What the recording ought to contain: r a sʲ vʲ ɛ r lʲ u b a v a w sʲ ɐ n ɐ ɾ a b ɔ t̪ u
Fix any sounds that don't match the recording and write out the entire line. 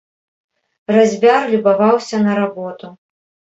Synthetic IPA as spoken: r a zʲ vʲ a r lʲ u b a v a w sʲ ɐ n ɐ ɾ a b ɔ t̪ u